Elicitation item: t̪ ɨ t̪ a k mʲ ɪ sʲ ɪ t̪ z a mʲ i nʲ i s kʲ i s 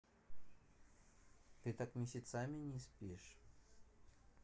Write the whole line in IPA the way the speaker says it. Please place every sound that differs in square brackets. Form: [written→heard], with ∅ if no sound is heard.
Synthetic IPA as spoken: t̪ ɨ t̪ a k mʲ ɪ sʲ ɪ t̪ [z→s] a mʲ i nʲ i s [kʲ→pʲ] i [s→ʂ]